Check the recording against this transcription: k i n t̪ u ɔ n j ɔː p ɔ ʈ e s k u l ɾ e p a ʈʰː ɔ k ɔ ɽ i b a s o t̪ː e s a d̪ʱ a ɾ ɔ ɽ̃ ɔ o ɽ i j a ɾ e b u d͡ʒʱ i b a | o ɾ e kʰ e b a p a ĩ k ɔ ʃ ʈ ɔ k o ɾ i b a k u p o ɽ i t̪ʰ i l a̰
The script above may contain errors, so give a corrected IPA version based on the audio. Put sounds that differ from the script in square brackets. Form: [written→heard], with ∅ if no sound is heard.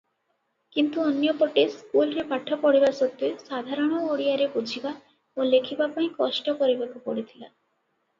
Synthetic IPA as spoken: k i n t̪ u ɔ n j [ɔː→ɔ] p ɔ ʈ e s k u l ɾ e p a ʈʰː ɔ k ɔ ɽ i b a s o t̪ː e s a d̪ʱ a ɾ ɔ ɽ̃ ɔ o ɽ i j a ɾ e b u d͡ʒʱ i b a | o [ɾ→l] e kʰ [e→i] b a p a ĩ k ɔ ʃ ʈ ɔ k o ɾ i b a k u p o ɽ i t̪ʰ i l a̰